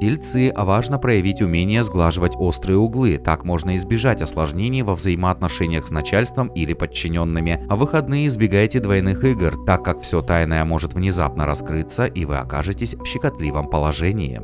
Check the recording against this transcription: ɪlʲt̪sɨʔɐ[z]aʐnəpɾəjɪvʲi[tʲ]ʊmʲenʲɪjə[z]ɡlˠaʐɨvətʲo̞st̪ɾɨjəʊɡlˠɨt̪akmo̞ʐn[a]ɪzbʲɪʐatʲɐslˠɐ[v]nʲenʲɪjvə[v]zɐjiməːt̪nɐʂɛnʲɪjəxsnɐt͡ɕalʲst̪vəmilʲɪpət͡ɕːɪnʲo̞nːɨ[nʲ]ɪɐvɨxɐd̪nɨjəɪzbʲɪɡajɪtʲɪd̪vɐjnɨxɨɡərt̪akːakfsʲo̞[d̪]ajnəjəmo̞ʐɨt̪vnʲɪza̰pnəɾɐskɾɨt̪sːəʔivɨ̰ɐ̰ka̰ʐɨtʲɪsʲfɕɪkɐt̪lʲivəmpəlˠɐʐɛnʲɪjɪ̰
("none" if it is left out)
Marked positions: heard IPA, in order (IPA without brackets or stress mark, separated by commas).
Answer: v, tʲ, z, ə, ʐ, v, mʲ, t̪